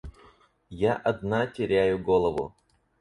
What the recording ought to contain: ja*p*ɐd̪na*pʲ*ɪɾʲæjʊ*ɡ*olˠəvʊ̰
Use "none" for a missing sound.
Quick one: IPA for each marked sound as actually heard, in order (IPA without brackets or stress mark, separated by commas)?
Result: ʔ, tʲ, ɡ